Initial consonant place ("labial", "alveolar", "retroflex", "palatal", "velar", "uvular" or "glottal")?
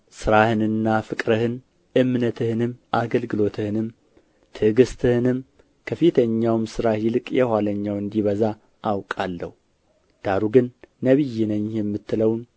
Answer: alveolar